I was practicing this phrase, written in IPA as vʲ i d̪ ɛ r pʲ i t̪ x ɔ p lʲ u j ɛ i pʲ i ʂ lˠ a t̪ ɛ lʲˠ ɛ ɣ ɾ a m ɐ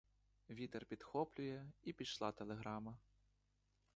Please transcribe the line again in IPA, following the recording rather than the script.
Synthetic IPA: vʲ i t̪ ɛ r pʲ i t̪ x ɔ p lʲ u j ɛ i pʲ i ʂ lˠ a t̪ ɛ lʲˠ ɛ ɣ ɾ a m ɐ

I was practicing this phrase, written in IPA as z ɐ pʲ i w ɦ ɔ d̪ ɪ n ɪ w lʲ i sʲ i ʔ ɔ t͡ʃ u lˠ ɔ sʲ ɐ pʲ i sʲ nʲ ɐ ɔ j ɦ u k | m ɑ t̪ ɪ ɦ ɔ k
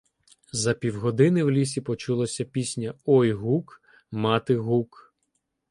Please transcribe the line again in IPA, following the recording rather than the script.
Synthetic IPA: z ɐ pʲ i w ɦ ɔ d̪ ɪ n ɪ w lʲ i sʲ i p ɔ t͡ʃ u lˠ ɔ sʲ ɐ pʲ i sʲ nʲ ɐ ɔ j ɦ u k | m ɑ t̪ ɪ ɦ u k

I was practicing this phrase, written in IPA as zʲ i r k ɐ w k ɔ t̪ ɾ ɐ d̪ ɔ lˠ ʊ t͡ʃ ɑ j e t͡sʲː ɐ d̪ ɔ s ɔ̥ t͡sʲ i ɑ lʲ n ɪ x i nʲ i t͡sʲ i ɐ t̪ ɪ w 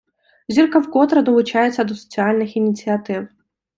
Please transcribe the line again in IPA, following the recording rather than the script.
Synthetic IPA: zʲ i r k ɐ w k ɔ t̪ ɾ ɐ d̪ ɔ lˠ ʊ t͡ʃ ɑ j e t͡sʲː ɐ d̪ ɔ s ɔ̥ t͡sʲ i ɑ lʲ n ɪ x i nʲ i t͡sʲ i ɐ t̪ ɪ w

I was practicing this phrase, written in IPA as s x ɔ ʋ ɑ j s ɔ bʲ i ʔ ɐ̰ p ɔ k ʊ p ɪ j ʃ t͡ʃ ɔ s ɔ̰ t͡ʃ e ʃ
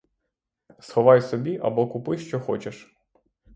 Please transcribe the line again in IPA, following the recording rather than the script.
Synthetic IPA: s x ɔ ʋ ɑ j s ɔ bʲ i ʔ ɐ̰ b ɔ k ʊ p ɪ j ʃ t͡ʃ ɔ x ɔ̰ t͡ʃ e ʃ

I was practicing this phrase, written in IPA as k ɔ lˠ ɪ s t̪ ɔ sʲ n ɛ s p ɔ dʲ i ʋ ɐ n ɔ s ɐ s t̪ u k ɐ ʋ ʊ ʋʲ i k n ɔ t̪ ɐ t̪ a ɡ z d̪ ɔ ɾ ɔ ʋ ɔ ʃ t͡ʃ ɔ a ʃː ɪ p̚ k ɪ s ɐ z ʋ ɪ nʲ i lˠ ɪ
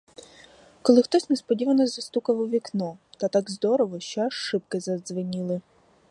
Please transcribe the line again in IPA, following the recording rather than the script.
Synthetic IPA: k ɔ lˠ ɪ x t̪ ɔ sʲ n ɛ s p ɔ dʲ i ʋ ɐ n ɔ z ɐ s t̪ u k ɐ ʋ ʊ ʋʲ i k n ɔ t̪ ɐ t̪ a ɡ z d̪ ɔ ɾ ɔ ʋ ɔ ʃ t͡ʃ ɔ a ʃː ɪ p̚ k ɪ z ɐ z ʋ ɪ nʲ i lˠ ɪ

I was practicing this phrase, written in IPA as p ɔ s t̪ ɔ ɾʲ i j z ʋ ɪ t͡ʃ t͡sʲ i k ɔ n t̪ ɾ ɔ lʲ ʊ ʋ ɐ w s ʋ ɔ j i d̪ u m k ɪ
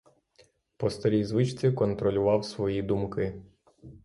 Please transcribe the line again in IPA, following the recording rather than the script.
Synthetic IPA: p ɔ s t̪ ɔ ɾʲ i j z ʋ ɪ t͡ʃ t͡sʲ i k ɔ n t̪ ɾ ɔ lʲ ʊ ʋ ɑ w s ʋ ɔ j i d̪ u m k ɪ

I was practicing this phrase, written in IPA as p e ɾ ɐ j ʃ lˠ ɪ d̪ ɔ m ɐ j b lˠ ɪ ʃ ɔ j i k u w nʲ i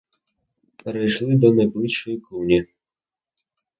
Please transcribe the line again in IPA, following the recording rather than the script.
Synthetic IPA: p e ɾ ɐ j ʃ lˠ ɪ d̪ ɔ n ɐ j b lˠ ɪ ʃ ɔ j i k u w nʲ i

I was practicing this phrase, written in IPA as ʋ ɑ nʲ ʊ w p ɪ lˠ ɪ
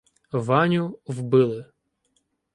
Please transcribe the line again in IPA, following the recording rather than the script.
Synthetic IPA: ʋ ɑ nʲ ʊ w b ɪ lˠ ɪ

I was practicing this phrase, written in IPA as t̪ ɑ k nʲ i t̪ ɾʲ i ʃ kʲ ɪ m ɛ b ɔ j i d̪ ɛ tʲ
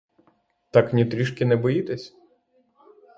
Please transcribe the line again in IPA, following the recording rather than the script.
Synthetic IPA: t̪ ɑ k nʲ i t̪ ɾʲ i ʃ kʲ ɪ n ɛ b ɔ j i t̪ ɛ sʲ

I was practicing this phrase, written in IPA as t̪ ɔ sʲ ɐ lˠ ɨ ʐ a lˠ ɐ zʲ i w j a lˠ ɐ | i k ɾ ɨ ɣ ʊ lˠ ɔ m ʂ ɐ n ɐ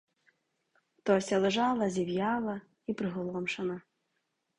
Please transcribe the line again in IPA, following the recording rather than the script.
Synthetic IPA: t̪ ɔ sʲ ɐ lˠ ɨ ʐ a lˠ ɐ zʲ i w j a lˠ ɐ | i p ɾ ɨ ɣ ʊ lˠ ɔ m ʂ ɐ n ɐ

